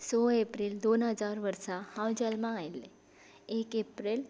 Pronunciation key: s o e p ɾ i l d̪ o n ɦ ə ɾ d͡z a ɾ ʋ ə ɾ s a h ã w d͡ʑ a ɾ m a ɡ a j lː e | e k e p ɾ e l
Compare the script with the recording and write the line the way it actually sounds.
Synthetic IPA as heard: s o e p ɾ i l d̪ o n ɦ ə d͡z a ɾ ʋ ə ɾ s a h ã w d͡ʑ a l m a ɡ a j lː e | e k e p ɾ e l